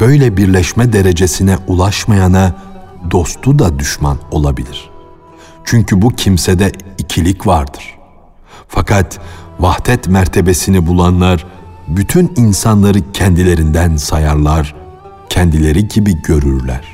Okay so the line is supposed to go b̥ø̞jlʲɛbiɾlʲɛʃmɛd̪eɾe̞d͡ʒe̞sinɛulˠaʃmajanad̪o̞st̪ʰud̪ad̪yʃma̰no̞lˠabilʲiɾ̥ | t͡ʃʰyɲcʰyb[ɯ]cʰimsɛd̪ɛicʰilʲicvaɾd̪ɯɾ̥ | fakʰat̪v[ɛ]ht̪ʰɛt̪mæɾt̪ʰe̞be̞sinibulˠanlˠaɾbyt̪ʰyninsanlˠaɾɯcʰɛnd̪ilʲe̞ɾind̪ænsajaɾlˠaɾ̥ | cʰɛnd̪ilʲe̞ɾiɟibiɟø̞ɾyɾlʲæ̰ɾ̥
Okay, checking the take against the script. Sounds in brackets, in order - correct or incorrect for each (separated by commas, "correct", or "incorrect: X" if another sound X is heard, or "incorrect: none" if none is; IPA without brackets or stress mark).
incorrect: u, incorrect: a